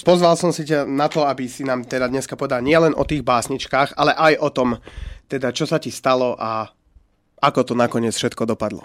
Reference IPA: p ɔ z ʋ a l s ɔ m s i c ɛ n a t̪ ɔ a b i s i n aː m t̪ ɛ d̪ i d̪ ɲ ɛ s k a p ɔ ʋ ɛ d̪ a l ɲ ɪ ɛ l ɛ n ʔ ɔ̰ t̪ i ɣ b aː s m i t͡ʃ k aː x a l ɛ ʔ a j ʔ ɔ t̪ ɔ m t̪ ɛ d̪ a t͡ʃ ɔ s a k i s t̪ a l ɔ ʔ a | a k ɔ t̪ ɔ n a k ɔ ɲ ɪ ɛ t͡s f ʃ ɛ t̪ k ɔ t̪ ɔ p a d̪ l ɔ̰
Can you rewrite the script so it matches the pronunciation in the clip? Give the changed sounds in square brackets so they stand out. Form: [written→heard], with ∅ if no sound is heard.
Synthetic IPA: p ɔ z ʋ a l s ɔ m s i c [ɛ→a] n a t̪ ɔ a b i s i n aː m t̪ ɛ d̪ [i→a] d̪ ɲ ɛ s k a p ɔ ʋ ɛ d̪ a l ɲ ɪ ɛ l ɛ n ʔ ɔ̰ t̪ [i→iː] ɣ b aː s [m→ɲ] i t͡ʃ k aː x a l ɛ ʔ a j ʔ ɔ t̪ ɔ m t̪ ɛ d̪ a t͡ʃ ɔ s a [k→c] i s t̪ a l ɔ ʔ a | a k ɔ t̪ ɔ n a k ɔ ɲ ɪ ɛ t͡s f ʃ ɛ t̪ k ɔ [t̪→d̪] ɔ p a d̪ l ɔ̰